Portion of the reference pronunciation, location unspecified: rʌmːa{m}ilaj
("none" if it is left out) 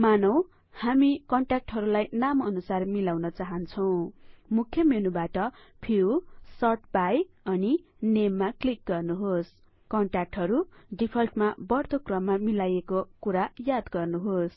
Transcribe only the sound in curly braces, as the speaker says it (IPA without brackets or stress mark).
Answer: m